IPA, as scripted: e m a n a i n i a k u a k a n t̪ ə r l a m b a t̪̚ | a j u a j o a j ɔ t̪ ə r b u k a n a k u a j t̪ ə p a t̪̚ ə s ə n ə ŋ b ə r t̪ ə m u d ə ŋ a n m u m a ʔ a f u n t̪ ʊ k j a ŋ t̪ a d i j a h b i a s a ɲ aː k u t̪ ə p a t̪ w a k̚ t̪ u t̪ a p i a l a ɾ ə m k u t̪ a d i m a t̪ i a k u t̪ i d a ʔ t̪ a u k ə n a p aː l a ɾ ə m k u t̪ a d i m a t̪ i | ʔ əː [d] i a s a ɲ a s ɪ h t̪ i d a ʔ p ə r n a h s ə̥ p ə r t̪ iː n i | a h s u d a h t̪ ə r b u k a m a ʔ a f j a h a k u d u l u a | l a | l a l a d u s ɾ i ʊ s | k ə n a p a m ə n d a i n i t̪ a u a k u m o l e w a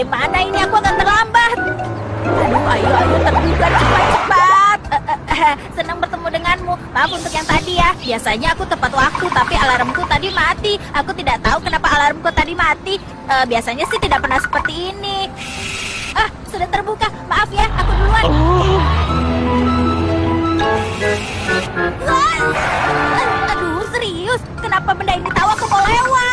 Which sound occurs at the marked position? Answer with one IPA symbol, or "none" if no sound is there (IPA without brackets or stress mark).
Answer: b